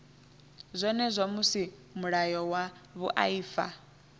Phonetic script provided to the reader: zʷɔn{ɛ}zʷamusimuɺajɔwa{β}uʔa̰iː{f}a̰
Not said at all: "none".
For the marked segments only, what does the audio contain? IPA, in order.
ɛ, β, f

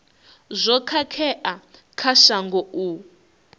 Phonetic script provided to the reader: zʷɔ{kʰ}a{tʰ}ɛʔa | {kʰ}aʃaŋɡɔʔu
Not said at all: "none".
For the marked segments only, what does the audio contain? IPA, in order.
kʰ, kʰ, kʰ

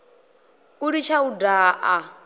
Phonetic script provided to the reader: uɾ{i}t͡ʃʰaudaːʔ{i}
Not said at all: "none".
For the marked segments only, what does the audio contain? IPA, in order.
i, a

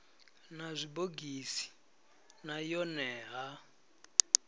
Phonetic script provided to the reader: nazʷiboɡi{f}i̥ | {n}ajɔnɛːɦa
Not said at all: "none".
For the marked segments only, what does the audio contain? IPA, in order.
s, n

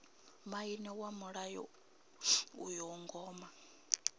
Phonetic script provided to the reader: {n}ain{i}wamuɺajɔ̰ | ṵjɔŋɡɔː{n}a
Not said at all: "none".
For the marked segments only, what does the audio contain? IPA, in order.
m, ɛ, m

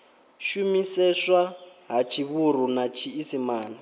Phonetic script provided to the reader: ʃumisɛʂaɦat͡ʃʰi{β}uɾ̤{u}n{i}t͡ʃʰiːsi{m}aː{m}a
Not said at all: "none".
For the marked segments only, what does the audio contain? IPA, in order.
β, u, a, m, n

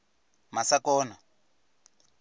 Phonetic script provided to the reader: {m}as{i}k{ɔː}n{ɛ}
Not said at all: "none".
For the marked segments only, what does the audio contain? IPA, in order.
m, a, ɔː, a

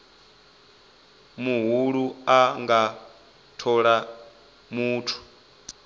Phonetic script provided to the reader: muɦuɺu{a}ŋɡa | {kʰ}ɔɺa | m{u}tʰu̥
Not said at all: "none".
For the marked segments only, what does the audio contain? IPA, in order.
a, tʰ, uː

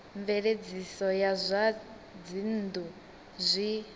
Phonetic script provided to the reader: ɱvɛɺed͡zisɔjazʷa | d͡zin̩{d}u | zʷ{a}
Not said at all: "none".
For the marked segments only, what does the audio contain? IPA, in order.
d, i

